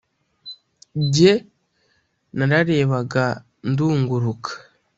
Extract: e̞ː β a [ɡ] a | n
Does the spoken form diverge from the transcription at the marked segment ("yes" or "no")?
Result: no